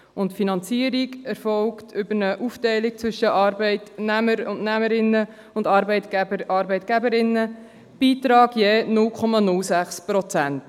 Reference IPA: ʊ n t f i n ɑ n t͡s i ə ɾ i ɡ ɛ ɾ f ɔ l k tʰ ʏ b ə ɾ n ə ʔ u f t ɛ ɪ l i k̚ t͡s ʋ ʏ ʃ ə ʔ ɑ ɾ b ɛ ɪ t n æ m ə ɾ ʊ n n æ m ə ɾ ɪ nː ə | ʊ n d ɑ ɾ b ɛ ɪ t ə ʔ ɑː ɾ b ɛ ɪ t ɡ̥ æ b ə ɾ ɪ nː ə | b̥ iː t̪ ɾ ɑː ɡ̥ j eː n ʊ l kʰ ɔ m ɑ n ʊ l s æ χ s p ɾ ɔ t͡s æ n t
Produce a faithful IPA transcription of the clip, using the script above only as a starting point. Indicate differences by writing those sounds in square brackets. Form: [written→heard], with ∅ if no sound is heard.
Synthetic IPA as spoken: ʊ n t f i n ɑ n t͡s i ə ɾ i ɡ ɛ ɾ f ɔ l k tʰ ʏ b ə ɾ n ə ʔ u f t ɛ ɪ l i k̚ t͡s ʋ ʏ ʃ ə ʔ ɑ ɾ b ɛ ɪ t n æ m ə ɾ ʊ n n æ m ə ɾ ɪ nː ə | ʊ n d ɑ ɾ b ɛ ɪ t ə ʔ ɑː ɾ b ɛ ɪ t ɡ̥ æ b ə ɾ ɪ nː ə | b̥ iː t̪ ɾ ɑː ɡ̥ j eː n ʊ l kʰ ɔ m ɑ n ʊ l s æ χ s p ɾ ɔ t͡s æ n t